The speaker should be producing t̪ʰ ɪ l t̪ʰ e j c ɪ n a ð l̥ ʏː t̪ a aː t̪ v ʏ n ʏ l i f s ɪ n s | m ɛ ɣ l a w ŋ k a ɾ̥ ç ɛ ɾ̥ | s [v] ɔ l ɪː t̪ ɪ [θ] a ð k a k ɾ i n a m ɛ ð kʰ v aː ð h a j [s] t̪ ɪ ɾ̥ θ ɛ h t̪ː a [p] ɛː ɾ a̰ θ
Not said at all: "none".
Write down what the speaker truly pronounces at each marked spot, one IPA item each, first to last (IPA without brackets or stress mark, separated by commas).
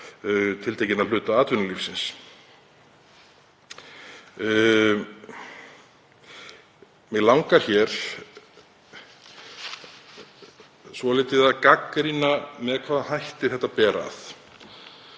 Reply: v, ð, h, p